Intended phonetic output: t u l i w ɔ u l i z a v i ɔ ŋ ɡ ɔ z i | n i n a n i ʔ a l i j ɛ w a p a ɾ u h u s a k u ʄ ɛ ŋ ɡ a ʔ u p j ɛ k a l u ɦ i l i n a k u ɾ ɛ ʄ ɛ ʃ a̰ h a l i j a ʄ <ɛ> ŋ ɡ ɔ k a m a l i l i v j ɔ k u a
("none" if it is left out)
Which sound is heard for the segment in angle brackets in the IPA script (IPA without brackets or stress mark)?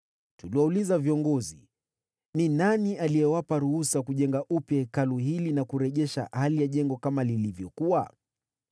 ɛ